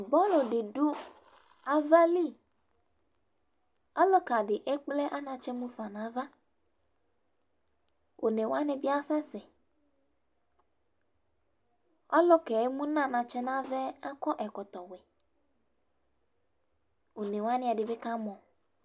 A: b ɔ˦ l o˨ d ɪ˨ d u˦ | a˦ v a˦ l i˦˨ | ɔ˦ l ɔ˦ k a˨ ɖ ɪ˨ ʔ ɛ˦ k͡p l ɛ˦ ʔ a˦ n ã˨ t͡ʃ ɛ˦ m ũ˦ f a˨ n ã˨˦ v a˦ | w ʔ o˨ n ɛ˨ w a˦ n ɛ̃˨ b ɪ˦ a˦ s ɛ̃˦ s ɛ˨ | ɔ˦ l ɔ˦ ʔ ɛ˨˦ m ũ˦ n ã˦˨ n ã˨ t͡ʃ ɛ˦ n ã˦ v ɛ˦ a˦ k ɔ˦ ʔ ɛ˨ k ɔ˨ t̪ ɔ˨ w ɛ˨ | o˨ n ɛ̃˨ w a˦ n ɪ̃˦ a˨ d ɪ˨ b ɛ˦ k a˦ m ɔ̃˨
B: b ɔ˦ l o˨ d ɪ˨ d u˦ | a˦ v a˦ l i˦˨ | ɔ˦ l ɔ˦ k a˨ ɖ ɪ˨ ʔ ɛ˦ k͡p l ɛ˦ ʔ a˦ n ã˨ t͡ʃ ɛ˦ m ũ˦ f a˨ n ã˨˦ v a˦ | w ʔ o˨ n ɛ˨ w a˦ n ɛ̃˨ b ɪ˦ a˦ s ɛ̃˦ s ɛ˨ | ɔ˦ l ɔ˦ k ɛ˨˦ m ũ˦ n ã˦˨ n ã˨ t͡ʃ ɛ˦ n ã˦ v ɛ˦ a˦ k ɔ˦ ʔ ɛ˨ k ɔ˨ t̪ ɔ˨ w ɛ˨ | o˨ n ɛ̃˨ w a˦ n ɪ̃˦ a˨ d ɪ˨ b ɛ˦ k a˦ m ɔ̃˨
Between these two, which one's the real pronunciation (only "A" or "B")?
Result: B